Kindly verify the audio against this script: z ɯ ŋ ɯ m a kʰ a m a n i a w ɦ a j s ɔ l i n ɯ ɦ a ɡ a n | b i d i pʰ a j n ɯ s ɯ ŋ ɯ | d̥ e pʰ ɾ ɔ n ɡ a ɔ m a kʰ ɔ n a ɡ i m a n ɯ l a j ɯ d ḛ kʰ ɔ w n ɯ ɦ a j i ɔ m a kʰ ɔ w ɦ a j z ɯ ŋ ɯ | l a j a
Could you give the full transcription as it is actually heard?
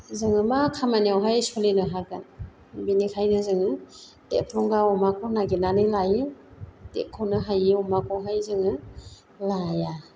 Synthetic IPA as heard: z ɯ ŋ ɯ m a kʰ a m a n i a w ɦ a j s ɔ l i n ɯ ɦ a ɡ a n | b i n i kʰ a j n ɯ z ɯ ŋ ɯ | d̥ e pʰ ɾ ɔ ŋ ɡ a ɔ m a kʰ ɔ n a ɡ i n a n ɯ l a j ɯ d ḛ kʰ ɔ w n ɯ ɦ a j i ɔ m a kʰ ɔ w ɦ a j z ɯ ŋ ɯ | l a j a